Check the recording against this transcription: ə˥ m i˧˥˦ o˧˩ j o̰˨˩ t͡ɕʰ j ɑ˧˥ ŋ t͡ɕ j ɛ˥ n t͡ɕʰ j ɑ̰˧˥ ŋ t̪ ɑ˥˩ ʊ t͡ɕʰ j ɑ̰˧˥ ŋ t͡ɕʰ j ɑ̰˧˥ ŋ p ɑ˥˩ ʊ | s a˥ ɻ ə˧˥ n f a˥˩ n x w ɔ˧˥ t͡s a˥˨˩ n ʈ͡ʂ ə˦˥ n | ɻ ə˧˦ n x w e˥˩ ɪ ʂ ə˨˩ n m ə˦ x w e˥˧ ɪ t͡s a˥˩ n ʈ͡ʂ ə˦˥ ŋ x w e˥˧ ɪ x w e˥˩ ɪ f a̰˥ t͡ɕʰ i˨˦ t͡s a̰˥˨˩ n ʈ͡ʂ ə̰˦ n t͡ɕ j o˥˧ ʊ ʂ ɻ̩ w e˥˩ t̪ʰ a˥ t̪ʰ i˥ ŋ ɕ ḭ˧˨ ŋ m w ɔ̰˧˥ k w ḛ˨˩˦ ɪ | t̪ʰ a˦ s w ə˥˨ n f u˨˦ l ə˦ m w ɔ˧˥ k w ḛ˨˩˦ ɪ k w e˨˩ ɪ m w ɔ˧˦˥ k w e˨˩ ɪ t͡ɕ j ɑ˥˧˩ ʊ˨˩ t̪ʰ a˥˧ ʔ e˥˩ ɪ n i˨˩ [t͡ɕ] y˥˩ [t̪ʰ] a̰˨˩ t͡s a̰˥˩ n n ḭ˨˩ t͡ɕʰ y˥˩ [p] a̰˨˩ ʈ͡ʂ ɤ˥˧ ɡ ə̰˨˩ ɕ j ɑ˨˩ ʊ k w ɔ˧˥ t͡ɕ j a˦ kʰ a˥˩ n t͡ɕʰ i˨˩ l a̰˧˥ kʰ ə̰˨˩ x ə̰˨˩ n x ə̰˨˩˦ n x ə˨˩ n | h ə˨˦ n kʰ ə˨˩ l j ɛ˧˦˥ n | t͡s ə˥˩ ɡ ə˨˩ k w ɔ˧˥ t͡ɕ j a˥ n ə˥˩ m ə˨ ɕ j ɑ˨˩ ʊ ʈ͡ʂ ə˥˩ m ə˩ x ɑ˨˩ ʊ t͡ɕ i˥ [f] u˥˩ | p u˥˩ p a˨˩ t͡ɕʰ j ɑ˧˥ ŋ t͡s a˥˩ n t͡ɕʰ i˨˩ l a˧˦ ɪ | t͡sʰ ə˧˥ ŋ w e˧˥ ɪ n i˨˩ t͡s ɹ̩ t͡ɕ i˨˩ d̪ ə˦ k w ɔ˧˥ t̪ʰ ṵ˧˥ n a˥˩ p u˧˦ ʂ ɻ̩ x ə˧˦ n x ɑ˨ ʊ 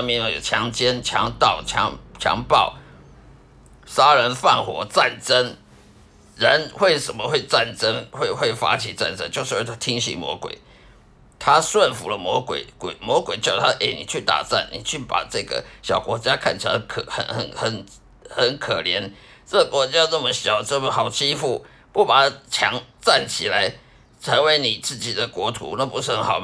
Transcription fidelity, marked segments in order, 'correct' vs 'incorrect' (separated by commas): incorrect, incorrect, correct, correct